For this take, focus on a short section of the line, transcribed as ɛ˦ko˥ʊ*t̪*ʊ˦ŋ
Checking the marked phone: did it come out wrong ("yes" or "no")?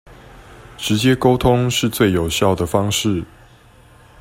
yes